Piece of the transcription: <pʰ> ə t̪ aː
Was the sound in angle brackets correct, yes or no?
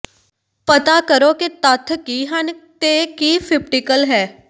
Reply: no